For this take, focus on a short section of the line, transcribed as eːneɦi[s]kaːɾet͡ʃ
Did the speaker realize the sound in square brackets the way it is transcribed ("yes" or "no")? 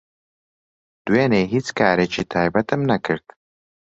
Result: no